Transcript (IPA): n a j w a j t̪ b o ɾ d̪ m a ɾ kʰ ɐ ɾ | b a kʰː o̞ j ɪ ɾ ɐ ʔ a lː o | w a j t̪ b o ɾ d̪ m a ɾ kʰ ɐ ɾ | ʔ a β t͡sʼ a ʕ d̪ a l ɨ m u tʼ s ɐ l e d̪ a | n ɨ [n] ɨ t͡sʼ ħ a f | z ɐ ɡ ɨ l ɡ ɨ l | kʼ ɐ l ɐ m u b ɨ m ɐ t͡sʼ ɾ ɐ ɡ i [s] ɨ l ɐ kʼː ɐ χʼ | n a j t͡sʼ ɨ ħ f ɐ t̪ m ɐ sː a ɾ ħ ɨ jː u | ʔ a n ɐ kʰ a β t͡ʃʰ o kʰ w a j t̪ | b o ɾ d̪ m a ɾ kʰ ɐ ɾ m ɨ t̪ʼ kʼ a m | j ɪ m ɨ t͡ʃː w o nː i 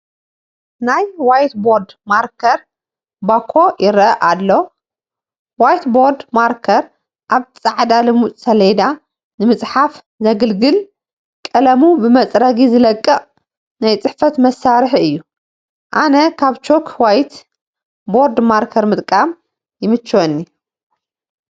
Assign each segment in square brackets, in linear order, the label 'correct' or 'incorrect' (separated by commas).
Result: incorrect, incorrect